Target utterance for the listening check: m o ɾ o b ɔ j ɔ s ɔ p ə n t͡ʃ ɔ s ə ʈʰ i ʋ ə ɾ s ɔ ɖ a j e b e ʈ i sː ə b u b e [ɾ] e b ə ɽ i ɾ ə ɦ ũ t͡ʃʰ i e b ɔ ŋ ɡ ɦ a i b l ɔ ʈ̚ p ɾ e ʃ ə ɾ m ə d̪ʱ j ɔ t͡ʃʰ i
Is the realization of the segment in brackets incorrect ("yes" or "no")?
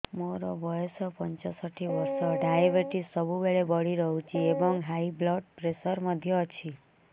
yes